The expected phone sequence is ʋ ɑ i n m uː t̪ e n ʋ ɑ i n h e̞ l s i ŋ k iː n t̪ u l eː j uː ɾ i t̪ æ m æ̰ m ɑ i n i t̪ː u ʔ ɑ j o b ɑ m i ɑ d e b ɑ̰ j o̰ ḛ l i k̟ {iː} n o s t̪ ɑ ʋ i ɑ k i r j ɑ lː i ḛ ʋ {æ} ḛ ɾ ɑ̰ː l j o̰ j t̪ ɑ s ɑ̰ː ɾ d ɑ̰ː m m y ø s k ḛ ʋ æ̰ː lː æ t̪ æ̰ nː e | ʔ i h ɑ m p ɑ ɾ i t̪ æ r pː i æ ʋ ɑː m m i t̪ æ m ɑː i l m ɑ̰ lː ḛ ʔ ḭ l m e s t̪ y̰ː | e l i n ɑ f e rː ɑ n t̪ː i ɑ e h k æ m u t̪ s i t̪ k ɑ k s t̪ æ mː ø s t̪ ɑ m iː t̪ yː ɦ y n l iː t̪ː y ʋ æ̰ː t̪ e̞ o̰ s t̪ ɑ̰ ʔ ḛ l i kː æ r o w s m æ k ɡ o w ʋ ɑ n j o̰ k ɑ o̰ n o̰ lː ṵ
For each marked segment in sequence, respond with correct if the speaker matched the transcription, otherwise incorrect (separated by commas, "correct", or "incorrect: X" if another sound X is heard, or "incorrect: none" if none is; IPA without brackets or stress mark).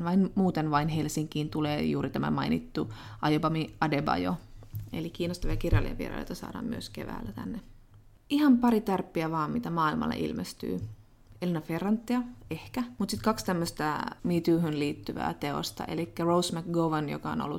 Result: correct, incorrect: i